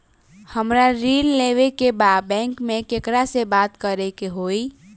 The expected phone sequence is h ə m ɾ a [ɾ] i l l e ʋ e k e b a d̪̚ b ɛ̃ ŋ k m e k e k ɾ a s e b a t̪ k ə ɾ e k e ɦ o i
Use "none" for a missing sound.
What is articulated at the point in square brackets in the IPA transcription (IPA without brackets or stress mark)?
ɾ